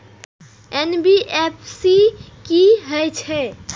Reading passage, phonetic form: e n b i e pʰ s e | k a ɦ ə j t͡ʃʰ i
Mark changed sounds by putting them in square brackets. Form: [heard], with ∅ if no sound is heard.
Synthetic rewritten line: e n b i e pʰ s [i] | k [i] ɦ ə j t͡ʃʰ [ɛ]